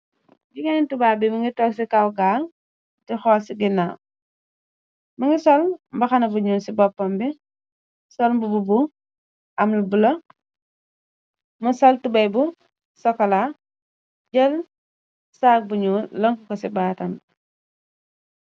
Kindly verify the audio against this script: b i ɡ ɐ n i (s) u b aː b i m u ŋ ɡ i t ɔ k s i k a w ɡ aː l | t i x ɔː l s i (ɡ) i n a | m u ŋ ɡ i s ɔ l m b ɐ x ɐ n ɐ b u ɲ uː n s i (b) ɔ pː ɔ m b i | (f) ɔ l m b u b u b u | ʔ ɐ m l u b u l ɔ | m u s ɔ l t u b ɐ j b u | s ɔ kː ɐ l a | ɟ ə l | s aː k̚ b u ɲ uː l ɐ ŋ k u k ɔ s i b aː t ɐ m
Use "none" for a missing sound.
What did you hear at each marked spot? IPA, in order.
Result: t, ɡ, b, s

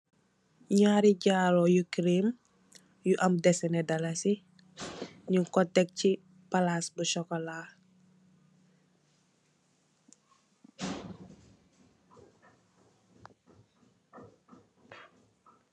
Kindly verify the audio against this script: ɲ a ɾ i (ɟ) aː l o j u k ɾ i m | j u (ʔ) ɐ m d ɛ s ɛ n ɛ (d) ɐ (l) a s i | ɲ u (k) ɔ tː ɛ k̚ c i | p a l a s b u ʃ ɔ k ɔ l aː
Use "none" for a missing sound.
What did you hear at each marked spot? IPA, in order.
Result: ɟ, ʔ, d, l, k

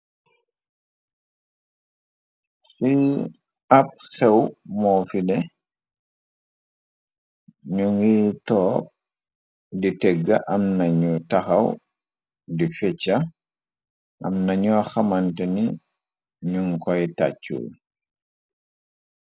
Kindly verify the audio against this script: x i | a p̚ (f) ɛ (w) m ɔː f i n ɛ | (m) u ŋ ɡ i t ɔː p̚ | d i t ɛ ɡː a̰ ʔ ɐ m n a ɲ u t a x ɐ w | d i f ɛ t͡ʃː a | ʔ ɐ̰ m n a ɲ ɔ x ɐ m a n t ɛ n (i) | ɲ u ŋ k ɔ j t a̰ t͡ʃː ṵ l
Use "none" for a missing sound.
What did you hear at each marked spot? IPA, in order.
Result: x, w, ɲ, i

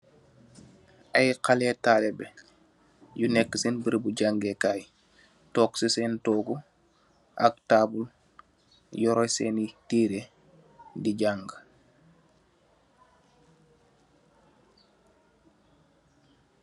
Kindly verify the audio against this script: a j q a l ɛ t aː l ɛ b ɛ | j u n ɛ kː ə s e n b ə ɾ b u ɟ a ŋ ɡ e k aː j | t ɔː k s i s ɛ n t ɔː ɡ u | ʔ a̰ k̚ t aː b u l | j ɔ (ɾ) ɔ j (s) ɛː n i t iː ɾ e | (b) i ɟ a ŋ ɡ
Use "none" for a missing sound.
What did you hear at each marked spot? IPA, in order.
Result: ɾ, s, d

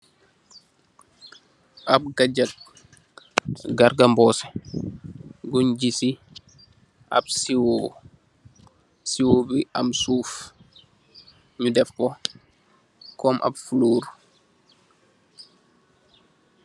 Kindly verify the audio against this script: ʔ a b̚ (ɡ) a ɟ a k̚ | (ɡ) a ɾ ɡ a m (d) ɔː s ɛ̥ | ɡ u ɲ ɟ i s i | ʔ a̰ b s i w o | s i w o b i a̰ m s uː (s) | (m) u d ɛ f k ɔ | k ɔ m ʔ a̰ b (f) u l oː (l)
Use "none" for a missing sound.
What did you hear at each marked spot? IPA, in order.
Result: ɡ, ɡ, b, f, ɲ, f, ɾ

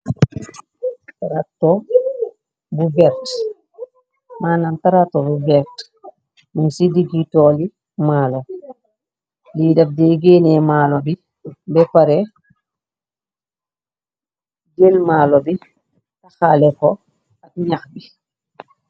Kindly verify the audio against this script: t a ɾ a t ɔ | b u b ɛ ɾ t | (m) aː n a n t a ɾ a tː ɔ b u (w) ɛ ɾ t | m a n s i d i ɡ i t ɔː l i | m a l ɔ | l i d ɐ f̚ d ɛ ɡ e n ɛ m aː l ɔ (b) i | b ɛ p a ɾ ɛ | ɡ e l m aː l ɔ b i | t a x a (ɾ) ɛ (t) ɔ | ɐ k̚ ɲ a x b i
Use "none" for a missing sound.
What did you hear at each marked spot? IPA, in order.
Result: m, b, b, l, k

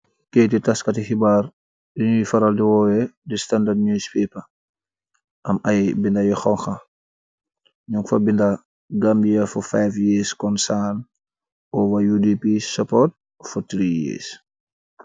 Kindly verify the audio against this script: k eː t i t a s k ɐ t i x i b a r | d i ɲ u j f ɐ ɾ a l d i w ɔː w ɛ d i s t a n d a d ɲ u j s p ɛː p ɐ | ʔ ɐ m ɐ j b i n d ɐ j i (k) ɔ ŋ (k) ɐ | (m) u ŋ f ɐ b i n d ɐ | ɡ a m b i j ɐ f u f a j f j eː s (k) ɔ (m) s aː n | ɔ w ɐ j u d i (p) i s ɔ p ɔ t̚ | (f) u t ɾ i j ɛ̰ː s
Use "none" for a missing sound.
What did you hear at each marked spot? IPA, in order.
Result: x, x, ɲ, k, n, p, f

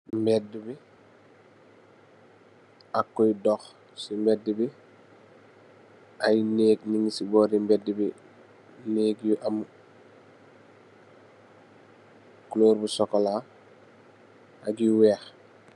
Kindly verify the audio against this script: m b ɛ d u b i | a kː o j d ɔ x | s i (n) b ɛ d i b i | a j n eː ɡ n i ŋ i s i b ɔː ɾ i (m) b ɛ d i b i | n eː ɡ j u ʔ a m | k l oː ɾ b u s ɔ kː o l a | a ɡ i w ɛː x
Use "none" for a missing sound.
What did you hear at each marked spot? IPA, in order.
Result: m, m

